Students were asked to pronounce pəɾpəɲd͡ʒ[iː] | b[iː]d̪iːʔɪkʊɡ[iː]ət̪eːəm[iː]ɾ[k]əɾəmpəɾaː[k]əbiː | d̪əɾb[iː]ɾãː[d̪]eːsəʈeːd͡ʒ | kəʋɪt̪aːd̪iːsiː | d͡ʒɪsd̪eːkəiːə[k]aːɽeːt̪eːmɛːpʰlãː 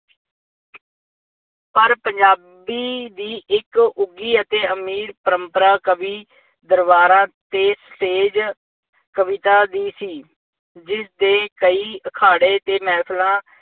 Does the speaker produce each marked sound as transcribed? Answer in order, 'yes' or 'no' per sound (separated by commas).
no, yes, yes, yes, no, yes, no, no, no